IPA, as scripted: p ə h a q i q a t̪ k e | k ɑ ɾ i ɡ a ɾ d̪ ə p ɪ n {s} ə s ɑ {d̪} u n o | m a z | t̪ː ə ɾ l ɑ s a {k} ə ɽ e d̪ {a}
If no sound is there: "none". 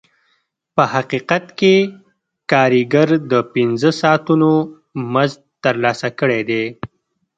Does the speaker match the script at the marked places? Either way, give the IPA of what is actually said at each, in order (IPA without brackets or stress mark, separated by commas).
z, t̪, k, e